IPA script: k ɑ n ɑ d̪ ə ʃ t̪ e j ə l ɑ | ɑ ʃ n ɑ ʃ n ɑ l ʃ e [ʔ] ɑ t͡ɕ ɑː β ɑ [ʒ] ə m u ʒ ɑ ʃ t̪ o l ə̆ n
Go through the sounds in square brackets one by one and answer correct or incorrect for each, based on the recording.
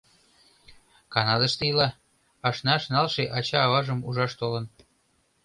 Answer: correct, correct

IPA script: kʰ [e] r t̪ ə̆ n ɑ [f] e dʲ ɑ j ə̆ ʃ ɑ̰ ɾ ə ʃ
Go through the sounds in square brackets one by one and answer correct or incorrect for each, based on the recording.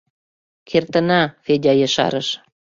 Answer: correct, correct

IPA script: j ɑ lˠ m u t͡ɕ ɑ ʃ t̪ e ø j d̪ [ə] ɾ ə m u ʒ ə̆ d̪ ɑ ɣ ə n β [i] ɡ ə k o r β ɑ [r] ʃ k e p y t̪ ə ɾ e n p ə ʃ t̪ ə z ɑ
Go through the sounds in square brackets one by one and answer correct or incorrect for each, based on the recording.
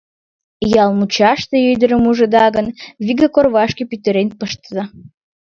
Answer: correct, correct, incorrect: none

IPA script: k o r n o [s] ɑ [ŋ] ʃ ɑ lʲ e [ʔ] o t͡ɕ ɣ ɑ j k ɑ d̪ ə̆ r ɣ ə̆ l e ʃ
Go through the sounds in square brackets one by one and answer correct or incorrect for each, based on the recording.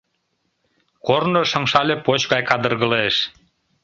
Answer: incorrect: ʃ, correct, incorrect: p

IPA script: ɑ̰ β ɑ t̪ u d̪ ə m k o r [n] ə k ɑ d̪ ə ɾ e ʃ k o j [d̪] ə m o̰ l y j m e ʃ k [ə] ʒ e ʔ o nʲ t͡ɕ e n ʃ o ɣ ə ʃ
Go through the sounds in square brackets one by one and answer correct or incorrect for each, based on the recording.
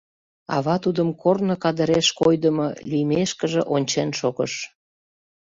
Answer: correct, correct, correct

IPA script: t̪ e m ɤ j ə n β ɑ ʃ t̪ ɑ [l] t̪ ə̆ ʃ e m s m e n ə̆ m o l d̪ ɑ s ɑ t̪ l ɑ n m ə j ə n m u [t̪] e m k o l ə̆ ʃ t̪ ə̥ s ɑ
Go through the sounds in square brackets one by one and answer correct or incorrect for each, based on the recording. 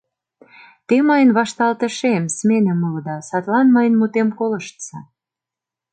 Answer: correct, correct

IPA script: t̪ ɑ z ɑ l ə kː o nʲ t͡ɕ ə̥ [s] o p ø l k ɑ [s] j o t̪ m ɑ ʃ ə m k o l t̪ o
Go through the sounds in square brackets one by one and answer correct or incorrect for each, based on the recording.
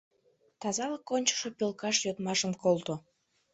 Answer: incorrect: ʃ, incorrect: ʃ

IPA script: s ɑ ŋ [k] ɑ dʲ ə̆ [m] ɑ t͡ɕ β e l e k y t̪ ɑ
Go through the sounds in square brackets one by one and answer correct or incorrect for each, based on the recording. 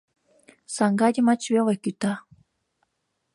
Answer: incorrect: ɡ, correct

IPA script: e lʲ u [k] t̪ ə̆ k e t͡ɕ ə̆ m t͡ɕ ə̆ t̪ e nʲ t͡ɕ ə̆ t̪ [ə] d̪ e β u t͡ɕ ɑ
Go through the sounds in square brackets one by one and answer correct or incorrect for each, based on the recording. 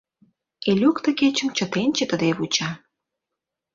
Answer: correct, correct

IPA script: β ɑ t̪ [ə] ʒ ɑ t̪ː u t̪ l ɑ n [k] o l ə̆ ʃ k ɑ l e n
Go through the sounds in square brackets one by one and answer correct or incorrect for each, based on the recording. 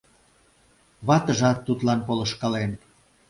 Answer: correct, incorrect: p

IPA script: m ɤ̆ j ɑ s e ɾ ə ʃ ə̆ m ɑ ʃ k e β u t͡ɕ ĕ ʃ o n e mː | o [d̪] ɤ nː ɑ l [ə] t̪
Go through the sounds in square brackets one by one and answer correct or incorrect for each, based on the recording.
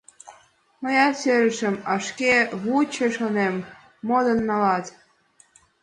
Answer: correct, incorrect: ɑ

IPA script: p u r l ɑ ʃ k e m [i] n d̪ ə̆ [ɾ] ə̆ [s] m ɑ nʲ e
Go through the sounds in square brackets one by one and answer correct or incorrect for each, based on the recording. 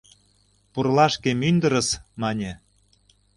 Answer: incorrect: y, correct, correct

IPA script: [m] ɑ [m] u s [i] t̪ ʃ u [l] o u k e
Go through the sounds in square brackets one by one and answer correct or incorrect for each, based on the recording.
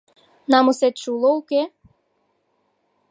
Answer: incorrect: n, correct, incorrect: e, correct

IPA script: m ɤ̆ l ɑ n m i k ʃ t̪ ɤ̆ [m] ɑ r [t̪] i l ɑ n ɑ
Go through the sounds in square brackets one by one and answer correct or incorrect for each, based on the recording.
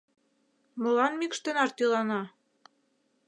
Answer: incorrect: n, correct

